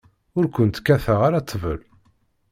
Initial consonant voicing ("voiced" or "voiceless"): voiced